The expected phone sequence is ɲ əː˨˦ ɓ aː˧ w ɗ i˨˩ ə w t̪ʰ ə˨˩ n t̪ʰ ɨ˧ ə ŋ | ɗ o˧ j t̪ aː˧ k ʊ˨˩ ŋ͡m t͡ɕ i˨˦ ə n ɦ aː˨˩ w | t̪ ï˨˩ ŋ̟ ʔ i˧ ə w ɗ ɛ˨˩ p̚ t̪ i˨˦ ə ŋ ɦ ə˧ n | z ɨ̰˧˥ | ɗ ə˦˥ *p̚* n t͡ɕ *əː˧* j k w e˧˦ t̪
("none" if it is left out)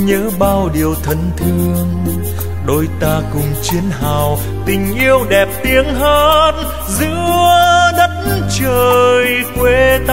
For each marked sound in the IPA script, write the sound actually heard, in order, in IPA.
t̚, əː˨˩

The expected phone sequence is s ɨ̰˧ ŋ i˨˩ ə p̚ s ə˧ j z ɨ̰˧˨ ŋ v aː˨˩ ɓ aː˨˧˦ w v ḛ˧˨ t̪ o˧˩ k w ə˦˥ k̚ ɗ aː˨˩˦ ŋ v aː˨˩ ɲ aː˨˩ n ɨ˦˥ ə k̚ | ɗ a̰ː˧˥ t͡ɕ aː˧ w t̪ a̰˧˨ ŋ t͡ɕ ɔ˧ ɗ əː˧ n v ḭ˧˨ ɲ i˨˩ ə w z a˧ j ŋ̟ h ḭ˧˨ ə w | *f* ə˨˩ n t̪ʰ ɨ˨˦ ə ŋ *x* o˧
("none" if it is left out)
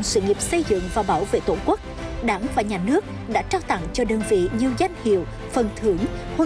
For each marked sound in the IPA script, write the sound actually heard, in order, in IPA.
f, h

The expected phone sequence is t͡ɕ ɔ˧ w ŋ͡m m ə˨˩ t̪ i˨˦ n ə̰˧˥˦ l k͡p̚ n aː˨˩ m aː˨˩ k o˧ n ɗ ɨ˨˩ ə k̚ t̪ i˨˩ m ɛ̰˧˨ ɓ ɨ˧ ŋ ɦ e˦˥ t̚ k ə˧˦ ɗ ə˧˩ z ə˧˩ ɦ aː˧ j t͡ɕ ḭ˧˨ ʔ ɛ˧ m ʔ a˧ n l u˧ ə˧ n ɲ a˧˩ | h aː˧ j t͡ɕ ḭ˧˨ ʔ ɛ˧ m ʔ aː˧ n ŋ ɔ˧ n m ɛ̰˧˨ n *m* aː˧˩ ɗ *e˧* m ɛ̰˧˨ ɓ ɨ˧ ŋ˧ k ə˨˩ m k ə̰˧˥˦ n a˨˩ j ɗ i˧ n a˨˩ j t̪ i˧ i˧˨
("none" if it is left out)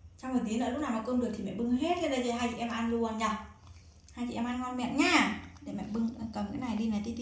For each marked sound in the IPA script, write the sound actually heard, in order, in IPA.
ɲ, e˧˩

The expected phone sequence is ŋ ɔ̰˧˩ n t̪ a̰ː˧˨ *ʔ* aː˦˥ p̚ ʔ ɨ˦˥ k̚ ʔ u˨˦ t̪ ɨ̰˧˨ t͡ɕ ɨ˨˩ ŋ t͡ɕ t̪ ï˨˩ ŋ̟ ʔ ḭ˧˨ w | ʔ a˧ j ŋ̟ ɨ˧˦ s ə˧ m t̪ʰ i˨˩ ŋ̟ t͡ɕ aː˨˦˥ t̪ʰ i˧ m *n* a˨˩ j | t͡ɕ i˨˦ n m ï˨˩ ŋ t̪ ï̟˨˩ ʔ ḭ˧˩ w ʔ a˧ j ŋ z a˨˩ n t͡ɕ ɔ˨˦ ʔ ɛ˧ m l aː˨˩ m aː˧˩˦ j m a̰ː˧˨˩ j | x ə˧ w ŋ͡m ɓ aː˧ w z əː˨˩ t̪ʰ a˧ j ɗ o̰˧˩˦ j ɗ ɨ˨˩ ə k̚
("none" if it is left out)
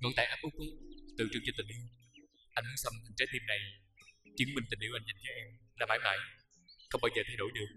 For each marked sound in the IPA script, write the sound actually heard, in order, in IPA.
ʔ, n

